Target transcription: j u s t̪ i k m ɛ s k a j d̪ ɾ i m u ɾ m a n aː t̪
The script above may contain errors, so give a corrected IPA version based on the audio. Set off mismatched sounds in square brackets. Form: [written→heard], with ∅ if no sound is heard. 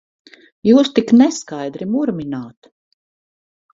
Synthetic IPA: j [u→uː] s t̪ i k [m→n] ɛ s k a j d̪ ɾ i m u ɾ m [a→i] n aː t̪